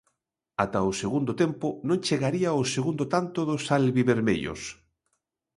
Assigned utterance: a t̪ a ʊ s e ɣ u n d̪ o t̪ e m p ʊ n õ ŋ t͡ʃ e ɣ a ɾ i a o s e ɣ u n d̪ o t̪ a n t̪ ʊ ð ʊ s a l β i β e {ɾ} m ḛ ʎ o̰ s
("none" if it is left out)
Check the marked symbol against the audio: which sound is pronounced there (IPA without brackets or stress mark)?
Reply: ɾ